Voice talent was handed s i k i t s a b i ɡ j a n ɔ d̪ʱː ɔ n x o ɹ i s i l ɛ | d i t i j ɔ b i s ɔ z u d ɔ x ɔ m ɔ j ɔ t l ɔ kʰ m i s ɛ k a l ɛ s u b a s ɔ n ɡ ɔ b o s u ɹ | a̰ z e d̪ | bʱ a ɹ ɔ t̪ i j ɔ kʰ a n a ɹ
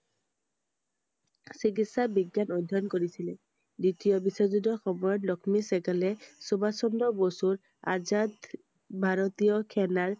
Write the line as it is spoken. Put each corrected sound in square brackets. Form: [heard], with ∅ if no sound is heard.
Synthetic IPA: s i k i t s a b i ɡ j a n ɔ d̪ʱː ɔ n [k] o ɹ i s i l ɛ | d i t i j ɔ b i s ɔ z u d ɔ x ɔ m ɔ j ɔ t l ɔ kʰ m i s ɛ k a l ɛ s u b a s ɔ n [d] ɔ b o s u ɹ | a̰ z [a] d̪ | bʱ a ɹ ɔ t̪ i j ɔ kʰ [ɛ] n a ɹ